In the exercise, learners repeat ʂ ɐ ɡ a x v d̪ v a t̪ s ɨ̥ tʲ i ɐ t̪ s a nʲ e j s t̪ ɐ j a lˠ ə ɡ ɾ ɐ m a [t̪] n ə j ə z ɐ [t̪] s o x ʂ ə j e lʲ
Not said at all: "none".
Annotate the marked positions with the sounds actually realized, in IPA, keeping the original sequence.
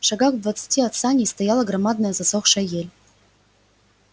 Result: d̪, none

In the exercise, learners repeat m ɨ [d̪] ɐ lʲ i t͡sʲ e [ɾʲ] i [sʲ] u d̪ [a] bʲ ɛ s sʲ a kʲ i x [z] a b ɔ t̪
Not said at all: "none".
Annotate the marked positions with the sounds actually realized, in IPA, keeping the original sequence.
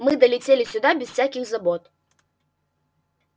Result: d̪, lʲ, sʲ, a, z

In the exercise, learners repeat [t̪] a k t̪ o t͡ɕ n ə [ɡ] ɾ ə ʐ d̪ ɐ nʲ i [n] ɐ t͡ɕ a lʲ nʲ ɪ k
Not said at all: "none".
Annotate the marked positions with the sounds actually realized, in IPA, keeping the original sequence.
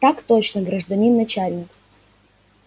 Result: t̪, ɡ, nː

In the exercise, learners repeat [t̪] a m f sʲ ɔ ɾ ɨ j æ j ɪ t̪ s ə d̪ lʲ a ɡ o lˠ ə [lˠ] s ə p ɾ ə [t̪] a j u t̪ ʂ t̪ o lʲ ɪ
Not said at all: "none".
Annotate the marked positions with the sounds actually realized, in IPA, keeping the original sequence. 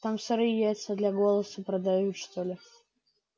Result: t̪, none, d̪

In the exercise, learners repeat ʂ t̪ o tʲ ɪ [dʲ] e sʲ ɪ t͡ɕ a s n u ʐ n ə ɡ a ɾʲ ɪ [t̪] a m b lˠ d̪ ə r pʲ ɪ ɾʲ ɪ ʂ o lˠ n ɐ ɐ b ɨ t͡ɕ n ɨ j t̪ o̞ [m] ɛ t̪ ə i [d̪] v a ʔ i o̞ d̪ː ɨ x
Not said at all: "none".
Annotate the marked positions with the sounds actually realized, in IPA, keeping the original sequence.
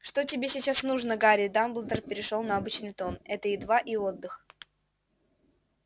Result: bʲ, d̪, n, d̪

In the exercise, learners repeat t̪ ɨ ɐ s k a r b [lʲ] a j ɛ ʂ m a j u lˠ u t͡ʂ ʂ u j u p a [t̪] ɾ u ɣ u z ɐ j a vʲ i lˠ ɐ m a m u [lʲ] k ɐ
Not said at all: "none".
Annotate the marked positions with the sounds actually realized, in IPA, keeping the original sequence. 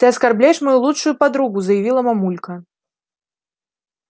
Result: lʲ, d̪, lʲ

